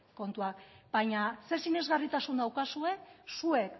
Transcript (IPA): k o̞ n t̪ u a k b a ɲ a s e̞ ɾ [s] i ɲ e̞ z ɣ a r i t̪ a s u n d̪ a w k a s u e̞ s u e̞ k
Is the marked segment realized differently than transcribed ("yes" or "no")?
no